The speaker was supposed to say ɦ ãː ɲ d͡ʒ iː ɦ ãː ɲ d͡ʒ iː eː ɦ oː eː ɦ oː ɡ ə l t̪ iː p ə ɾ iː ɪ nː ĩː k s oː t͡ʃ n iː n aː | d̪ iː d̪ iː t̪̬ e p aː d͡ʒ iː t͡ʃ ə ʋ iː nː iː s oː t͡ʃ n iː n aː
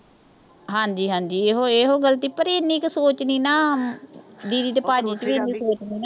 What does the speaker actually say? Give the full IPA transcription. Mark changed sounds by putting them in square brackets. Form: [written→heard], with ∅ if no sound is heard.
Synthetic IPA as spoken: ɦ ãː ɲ d͡ʒ iː ɦ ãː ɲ d͡ʒ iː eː ɦ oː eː ɦ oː ɡ ə l t̪ iː p ə ɾ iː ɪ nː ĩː k s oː t͡ʃ n iː n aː | d̪ iː d̪ iː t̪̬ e p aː d͡ʒ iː t͡ʃ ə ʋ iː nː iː s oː t͡ʃ n iː n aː